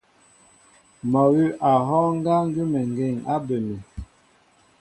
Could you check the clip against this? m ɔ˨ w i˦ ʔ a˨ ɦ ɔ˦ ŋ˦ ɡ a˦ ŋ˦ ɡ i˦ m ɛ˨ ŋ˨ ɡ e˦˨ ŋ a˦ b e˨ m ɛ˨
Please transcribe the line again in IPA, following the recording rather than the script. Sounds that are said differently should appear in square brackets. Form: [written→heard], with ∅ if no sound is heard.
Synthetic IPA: m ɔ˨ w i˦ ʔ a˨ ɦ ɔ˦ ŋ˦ ɡ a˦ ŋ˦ ɡ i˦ m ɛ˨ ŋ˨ ɡ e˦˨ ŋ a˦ b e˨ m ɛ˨